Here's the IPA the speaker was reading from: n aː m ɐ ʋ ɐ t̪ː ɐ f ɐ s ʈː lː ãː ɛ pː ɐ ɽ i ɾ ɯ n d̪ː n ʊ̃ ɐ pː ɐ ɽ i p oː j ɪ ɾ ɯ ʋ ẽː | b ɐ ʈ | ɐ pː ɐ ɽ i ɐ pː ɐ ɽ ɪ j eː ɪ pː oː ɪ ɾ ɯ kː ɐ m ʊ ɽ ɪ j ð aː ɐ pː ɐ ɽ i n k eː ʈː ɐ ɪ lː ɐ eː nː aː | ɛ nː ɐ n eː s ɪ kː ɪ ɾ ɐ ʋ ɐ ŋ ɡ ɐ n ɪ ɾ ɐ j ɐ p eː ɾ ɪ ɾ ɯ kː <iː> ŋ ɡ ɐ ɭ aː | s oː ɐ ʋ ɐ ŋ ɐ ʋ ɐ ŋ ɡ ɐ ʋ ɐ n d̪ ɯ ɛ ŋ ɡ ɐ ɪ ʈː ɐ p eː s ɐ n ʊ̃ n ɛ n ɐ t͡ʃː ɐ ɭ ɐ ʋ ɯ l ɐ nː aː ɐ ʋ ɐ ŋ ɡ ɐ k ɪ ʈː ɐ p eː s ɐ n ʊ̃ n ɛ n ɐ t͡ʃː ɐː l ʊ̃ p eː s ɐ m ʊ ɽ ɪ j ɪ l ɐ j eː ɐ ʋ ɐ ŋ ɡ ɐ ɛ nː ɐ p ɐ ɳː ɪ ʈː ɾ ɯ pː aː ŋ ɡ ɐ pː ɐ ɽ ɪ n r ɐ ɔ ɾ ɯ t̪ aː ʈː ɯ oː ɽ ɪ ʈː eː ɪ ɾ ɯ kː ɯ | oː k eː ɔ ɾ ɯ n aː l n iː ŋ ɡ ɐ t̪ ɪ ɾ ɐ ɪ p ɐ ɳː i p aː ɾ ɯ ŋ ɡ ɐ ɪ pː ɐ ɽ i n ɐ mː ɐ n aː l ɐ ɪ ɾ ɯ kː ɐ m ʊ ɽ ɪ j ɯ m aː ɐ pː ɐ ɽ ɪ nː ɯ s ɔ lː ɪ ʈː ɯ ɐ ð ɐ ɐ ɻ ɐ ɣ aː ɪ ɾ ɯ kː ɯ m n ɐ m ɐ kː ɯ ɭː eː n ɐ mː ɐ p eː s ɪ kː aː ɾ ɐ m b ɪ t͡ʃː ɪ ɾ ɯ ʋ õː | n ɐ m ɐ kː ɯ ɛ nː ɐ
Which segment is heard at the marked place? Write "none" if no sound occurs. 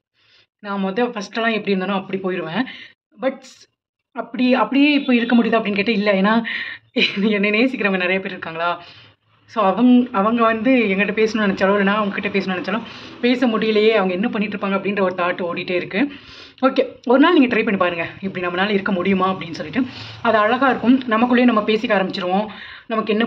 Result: aː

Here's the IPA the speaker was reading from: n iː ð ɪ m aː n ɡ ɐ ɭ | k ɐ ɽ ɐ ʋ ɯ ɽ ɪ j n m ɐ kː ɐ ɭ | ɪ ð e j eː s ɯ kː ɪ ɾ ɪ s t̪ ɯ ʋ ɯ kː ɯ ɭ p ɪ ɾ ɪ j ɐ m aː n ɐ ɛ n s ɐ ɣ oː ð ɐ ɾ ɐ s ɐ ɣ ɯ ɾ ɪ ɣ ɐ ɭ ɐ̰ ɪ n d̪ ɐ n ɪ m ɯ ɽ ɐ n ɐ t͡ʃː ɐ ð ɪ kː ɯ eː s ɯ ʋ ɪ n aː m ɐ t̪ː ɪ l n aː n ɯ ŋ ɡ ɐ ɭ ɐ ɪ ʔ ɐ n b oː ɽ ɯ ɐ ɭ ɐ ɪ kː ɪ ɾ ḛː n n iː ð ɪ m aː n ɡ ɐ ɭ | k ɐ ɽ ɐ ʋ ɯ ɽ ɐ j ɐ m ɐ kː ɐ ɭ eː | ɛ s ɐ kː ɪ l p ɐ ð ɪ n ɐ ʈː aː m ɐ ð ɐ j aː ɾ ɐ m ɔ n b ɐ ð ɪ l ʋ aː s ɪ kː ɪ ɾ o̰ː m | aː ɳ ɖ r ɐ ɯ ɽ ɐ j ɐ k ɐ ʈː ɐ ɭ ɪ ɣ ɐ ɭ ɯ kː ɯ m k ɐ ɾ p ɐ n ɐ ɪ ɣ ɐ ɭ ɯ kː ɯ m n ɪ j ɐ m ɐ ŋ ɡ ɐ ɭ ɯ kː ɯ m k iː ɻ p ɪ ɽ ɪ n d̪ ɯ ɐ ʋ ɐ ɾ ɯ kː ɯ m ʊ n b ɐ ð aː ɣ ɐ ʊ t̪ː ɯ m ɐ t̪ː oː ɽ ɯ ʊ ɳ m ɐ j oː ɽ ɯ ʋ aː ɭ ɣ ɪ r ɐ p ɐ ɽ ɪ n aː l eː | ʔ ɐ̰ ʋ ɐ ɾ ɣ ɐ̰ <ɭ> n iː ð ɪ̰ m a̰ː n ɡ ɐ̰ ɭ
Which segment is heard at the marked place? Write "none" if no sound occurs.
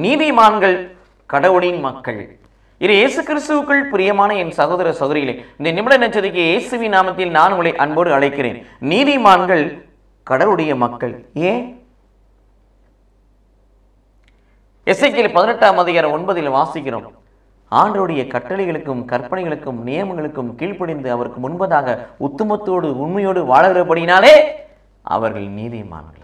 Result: ɭ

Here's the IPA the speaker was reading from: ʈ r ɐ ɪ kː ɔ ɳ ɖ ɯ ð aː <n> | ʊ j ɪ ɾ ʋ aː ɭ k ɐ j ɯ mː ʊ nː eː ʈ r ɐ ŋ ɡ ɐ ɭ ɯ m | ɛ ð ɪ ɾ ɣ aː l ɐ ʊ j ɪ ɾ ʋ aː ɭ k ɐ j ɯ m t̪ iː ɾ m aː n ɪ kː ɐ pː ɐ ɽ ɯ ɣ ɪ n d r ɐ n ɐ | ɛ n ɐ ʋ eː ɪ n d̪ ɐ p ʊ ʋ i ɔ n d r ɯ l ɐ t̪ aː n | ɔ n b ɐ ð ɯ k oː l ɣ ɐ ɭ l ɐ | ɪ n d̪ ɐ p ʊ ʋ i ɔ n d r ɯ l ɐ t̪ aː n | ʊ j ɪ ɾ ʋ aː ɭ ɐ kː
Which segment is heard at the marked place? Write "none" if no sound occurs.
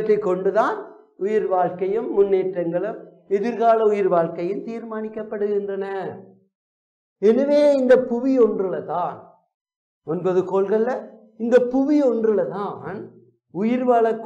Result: n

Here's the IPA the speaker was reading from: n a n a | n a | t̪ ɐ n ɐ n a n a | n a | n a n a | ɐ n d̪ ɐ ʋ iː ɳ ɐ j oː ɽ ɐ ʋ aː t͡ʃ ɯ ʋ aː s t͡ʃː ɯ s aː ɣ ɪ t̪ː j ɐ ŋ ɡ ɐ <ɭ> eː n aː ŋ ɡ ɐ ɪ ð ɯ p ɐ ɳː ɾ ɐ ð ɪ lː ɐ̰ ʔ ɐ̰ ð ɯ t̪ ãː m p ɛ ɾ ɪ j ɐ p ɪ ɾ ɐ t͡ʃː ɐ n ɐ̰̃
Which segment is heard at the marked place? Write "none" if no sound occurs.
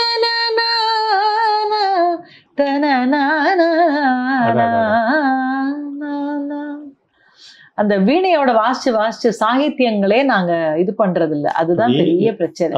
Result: ɭ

